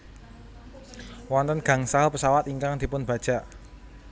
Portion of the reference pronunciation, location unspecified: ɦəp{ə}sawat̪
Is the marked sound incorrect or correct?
correct